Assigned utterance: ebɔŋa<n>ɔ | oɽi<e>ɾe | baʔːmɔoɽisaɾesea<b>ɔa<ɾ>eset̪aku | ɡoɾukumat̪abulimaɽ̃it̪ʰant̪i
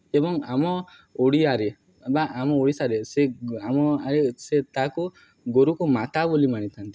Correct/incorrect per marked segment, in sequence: incorrect, incorrect, incorrect, correct

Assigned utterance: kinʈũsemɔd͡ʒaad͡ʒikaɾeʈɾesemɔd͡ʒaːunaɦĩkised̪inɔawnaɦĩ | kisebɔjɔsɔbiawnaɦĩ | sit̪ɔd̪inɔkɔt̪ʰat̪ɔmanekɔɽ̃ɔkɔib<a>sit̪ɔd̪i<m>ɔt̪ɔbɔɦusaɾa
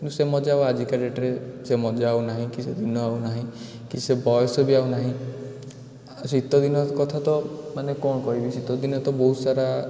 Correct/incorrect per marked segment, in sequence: incorrect, incorrect

